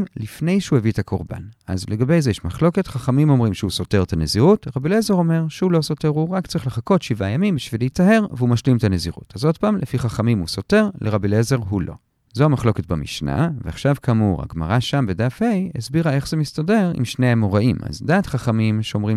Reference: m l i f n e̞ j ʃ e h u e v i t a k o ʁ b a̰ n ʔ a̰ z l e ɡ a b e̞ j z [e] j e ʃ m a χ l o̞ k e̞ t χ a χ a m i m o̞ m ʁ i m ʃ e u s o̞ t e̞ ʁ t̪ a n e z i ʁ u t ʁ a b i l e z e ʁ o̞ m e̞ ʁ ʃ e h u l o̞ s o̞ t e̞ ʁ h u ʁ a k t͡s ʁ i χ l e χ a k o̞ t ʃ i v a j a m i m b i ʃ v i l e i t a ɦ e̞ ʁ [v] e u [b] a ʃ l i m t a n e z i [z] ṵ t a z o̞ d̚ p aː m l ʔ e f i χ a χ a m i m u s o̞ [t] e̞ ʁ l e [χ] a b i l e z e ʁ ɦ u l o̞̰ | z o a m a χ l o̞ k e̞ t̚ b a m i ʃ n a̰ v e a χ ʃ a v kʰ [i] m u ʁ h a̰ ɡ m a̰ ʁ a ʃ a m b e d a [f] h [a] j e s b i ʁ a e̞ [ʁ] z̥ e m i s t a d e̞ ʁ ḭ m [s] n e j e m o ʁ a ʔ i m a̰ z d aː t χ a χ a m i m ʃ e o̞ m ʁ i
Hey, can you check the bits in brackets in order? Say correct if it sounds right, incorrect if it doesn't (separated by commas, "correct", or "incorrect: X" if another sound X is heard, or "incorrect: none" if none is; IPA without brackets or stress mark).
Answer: correct, correct, incorrect: m, incorrect: ʁ, correct, incorrect: ʁ, incorrect: a, correct, incorrect: e, incorrect: χ, incorrect: ʃ